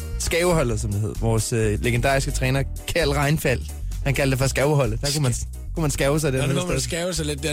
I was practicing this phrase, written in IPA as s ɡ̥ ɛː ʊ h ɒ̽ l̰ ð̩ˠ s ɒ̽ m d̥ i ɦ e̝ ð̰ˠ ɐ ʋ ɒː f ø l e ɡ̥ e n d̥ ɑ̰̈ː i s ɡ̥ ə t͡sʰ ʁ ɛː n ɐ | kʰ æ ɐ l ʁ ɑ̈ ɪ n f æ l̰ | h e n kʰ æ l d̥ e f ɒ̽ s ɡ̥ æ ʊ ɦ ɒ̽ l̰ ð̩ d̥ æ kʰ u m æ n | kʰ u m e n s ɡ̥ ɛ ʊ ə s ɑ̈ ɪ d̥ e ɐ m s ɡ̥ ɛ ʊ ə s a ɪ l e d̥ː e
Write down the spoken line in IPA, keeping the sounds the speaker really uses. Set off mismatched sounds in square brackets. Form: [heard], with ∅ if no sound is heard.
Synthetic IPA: s ɡ̥ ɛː ʊ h ɒ̽ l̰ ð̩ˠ s ɒ̽ m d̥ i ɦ e̝ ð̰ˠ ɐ ʋ ɒː [s] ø l e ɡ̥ e n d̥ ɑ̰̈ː i s ɡ̥ ə t͡sʰ ʁ ɛː n ɐ | kʰ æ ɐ l ʁ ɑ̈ ɪ n f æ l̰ | h [æ] n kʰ æ l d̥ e f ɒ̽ s ɡ̥ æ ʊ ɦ ɒ̽ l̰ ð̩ d̥ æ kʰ u m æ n | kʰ u m [æ] n s ɡ̥ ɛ ʊ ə s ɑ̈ ɪ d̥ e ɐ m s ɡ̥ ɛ ʊ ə s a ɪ l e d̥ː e